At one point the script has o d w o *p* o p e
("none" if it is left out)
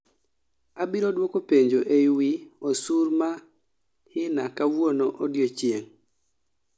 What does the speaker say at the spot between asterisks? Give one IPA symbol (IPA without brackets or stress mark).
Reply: k